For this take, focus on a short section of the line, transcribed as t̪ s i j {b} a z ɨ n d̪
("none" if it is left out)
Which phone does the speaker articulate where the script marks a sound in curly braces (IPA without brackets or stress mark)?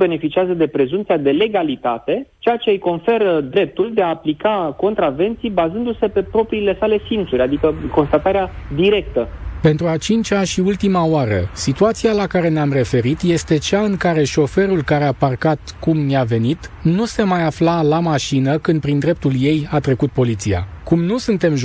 b